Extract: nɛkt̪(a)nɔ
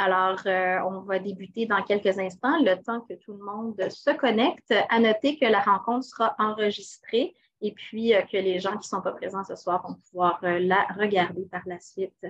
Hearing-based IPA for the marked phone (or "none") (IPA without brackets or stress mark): a